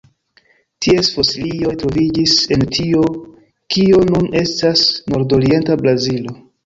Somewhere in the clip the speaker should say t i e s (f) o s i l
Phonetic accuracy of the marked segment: correct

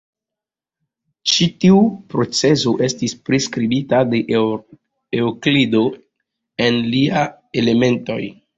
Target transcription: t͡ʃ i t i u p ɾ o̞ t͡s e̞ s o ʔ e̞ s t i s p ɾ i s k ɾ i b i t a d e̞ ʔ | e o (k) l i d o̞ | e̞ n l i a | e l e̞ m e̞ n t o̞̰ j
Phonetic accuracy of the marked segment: correct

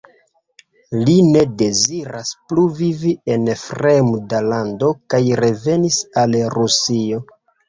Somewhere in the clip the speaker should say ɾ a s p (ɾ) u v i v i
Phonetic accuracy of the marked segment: incorrect: l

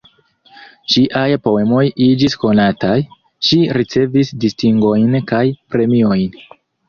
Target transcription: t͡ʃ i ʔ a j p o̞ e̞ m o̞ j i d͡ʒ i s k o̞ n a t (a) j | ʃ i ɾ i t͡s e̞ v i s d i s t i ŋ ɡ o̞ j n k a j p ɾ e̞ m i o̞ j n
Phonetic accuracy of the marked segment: correct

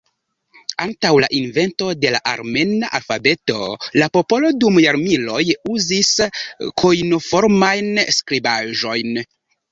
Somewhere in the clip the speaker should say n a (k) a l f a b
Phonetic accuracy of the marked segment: incorrect: ʔ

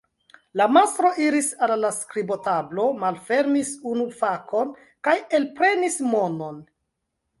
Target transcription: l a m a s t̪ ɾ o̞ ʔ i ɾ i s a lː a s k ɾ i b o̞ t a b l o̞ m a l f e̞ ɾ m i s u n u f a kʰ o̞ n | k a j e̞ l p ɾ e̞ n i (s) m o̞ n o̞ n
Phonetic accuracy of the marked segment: correct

